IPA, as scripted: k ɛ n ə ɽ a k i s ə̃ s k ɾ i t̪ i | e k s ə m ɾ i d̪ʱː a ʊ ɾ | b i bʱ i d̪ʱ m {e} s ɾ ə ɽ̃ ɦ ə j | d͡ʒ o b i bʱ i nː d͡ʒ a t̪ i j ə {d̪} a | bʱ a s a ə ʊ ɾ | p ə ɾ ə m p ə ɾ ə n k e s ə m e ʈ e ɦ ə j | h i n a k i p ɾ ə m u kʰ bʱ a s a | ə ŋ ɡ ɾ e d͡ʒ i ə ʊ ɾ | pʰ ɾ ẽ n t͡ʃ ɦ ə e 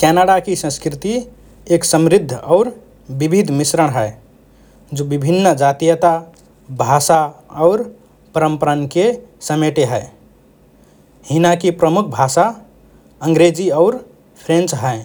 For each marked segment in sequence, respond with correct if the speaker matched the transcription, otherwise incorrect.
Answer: incorrect: i, incorrect: t̪

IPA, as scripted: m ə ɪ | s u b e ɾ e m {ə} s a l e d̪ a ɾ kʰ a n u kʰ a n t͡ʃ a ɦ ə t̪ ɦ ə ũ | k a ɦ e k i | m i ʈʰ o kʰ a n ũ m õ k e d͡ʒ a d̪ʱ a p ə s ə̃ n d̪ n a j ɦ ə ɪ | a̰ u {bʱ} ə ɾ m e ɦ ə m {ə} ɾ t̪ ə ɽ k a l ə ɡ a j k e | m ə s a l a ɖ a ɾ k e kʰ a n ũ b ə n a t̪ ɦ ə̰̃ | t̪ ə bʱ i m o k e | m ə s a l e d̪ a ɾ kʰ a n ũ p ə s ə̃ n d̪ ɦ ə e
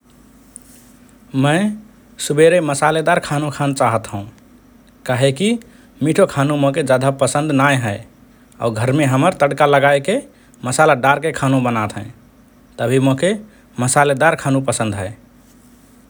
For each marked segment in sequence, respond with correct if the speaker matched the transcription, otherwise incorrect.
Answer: correct, incorrect: ɡʱ, correct

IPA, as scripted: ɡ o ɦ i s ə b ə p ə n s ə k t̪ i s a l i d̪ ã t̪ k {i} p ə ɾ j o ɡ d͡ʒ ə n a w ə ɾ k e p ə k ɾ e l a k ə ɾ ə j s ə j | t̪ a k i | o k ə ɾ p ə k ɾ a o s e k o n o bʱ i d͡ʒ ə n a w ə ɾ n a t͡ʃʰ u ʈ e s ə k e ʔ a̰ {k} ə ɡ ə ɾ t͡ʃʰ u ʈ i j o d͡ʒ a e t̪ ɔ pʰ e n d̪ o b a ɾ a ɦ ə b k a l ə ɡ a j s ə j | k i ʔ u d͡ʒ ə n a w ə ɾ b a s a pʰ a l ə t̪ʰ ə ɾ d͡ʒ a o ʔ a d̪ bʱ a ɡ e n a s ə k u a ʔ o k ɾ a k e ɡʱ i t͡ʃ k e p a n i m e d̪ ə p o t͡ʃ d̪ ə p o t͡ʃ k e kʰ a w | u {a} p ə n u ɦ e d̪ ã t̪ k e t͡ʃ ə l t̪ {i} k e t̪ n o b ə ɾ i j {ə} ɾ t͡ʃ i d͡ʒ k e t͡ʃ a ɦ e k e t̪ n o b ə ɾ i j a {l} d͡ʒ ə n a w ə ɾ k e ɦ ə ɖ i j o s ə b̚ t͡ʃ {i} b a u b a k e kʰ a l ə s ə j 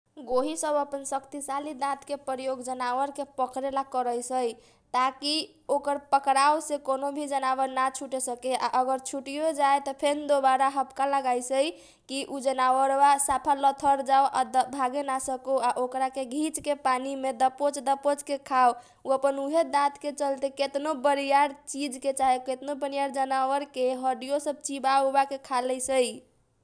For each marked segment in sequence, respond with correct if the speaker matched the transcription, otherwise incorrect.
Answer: incorrect: e, incorrect: ʔ, incorrect: ə, incorrect: e, incorrect: a, incorrect: ɾ, correct

